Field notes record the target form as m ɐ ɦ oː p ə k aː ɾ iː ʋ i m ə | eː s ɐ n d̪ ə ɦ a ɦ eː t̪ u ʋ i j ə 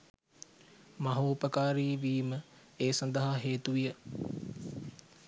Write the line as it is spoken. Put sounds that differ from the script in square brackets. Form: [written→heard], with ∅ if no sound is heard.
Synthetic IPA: m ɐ ɦ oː p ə k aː ɾ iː ʋ [i→iː] m ə | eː s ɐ n d̪ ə ɦ a ɦ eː t̪ u ʋ i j ə